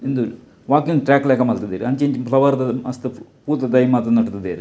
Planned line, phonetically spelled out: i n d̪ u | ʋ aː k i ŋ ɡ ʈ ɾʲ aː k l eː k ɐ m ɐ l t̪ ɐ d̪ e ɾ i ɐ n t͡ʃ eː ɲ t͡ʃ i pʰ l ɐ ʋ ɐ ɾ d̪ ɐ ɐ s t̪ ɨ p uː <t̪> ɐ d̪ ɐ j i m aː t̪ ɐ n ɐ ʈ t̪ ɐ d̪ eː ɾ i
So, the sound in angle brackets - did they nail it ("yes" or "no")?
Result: yes